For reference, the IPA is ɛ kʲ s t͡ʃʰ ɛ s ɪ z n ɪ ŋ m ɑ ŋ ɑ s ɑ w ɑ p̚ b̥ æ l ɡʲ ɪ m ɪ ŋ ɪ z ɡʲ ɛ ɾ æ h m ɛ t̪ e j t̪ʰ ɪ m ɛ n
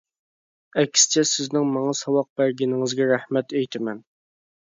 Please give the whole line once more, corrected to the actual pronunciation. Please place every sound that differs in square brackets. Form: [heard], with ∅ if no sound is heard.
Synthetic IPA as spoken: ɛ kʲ s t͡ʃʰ ɛ s ɪ z n ɪ ŋ m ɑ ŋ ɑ s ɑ w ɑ [q̚] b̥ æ [ɾ] ɡʲ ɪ [n] ɪ ŋ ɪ z ɡʲ ɛ ɾ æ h m ɛ t̪ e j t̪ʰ ɪ m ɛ n